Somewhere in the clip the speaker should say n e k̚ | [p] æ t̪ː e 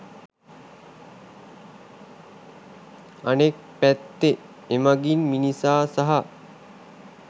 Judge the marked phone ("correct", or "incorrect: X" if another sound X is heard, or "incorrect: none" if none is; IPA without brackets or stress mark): correct